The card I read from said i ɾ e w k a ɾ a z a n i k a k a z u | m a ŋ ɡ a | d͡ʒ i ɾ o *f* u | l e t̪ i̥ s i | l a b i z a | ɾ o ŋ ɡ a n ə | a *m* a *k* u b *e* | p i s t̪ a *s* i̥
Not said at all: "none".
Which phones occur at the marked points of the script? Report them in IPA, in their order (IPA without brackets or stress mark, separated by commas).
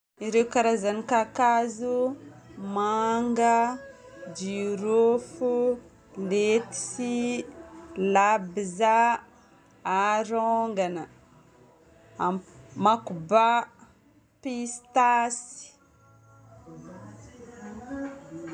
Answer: f, m, k, a, s